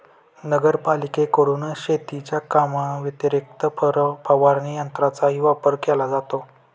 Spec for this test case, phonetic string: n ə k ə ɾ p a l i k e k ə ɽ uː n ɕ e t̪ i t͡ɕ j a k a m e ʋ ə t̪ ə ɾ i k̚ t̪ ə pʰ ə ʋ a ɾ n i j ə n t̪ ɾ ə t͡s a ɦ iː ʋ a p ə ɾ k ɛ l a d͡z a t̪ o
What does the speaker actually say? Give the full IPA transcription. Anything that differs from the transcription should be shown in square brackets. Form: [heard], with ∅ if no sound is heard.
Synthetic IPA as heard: n ə [ɡ] ə ɾ p a l i k e k ə ɽ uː n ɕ e t̪ i t͡ɕ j a k a m [a] ʋ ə t̪ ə ɾ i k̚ t̪ ə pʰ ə ʋ a ɾ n i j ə n t̪ ɾ [a] t͡s a ɦ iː ʋ a p ə ɾ k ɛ l a d͡z a t̪ o